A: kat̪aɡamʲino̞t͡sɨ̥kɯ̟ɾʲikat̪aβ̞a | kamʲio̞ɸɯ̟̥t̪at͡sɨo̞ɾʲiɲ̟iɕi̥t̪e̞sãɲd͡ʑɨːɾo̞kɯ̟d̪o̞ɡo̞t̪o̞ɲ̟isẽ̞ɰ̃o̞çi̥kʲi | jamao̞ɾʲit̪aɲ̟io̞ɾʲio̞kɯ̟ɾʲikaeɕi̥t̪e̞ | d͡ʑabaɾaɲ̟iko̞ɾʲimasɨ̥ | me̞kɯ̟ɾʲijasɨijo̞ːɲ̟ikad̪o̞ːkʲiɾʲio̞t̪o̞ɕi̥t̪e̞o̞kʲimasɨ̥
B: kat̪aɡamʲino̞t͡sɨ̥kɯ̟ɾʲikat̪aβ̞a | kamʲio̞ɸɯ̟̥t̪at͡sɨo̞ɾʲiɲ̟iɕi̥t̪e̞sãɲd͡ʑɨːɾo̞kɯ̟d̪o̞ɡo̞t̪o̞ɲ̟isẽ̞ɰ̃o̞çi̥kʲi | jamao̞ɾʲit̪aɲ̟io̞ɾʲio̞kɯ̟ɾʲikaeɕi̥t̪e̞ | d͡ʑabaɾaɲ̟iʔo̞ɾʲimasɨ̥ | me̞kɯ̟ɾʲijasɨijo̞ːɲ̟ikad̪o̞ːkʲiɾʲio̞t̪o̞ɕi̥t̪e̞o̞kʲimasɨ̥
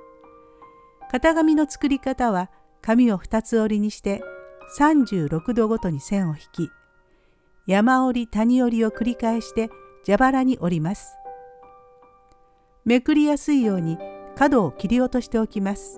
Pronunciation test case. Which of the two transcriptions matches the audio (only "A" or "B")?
B